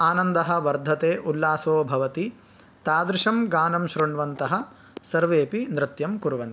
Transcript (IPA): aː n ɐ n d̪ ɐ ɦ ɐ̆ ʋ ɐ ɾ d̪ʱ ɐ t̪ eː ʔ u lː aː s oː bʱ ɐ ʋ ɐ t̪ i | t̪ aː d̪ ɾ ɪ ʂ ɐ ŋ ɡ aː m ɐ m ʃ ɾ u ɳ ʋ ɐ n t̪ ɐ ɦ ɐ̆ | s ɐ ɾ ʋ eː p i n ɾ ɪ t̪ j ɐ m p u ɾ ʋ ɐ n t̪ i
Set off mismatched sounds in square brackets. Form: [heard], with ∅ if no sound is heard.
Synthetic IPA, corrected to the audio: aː n ɐ n d̪ ɐ ɦ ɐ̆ ʋ ɐ ɾ d̪ʱ ɐ t̪ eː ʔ u lː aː s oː bʱ ɐ ʋ ɐ t̪ i | t̪ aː d̪ ɾ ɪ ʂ ɐ [m] ɡ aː [n] ɐ m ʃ ɾ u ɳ ʋ ɐ n t̪ ɐ ɦ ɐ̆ | s ɐ ɾ ʋ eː p i n ɾ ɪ t̪ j ɐ m [k] u ɾ ʋ ɐ n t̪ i